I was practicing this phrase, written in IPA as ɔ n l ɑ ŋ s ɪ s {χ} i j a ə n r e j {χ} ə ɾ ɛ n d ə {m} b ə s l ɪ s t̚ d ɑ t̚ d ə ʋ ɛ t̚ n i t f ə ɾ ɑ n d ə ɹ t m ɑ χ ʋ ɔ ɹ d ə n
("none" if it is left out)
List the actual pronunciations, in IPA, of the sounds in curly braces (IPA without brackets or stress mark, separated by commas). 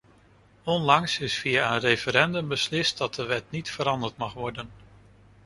f, f, m